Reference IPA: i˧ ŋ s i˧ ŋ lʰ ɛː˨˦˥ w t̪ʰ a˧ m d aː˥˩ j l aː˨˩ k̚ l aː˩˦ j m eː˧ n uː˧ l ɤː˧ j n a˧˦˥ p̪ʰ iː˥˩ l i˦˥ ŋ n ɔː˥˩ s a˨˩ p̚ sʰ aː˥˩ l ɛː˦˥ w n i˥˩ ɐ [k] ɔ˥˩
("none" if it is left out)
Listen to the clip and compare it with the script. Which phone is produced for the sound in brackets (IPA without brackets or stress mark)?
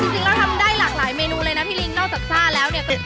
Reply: k